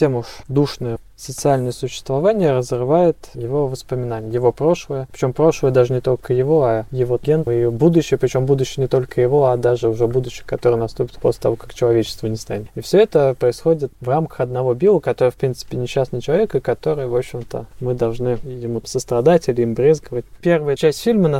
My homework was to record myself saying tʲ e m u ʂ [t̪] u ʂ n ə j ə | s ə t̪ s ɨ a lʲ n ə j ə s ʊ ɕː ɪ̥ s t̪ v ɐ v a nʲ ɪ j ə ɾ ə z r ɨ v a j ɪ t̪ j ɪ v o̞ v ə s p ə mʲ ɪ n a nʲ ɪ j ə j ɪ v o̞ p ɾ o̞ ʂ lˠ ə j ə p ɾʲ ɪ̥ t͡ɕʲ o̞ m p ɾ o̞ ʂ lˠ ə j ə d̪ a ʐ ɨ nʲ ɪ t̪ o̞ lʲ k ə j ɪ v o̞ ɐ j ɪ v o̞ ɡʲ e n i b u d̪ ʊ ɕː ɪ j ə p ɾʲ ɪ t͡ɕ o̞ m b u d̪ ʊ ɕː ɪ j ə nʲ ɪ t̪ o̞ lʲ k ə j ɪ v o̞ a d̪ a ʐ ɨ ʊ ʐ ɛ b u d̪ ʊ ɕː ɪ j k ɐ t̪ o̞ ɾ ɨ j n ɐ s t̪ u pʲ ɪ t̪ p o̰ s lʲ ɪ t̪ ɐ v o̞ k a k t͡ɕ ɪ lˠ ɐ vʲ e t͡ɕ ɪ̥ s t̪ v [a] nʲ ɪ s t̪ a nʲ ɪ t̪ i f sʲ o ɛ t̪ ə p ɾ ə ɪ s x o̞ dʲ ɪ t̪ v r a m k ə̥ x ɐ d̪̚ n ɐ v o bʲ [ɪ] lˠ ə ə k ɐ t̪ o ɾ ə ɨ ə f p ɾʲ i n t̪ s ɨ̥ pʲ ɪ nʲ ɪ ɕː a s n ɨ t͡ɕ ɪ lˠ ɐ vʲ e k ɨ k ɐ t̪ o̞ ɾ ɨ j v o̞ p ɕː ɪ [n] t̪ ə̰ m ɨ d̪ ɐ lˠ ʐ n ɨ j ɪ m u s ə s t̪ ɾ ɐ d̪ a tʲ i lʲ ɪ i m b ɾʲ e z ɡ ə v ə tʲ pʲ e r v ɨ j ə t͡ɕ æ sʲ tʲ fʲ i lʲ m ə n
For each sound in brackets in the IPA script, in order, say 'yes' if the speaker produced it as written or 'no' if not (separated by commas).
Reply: no, no, no, no